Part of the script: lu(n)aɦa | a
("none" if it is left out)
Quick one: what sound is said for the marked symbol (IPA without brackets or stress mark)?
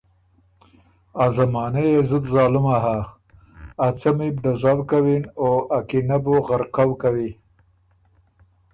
m